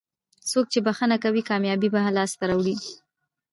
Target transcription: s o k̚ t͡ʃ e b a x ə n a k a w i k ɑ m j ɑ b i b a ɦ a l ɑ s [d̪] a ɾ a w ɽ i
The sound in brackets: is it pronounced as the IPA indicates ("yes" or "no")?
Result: no